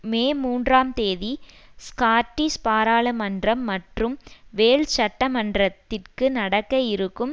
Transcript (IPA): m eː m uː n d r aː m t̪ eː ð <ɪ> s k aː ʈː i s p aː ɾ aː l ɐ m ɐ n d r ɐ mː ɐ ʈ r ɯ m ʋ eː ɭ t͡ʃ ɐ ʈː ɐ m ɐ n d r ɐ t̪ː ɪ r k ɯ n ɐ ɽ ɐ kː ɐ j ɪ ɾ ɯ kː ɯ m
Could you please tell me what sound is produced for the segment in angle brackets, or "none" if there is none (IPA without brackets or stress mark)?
i